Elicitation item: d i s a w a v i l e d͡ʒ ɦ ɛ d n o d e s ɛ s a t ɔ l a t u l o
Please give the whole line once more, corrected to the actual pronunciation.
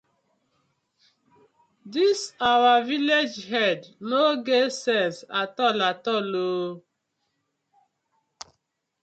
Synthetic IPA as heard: d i s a w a v i l e d͡ʒ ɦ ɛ d n o ɡ e s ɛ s a t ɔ l a t ɔ l o

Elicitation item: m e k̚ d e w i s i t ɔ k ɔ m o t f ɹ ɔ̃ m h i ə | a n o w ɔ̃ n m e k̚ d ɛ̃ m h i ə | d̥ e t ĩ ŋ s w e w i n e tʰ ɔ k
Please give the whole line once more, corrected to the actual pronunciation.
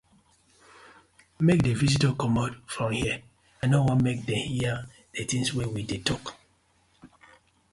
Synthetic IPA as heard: m e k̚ d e v i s i t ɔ k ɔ m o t f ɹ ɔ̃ m h i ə | a n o w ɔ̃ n m e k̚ d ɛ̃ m h i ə | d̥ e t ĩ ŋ s w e w i d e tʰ ɔ k

